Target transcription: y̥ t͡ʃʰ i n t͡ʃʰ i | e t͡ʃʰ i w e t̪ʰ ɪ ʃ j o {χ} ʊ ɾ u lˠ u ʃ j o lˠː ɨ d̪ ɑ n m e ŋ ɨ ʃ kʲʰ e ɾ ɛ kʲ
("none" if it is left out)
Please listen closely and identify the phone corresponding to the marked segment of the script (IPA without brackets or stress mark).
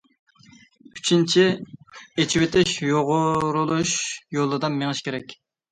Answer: ʁ